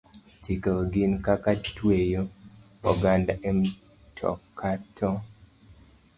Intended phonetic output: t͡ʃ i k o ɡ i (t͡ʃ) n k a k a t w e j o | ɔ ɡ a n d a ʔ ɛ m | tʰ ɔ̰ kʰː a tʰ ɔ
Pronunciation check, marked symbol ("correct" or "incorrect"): incorrect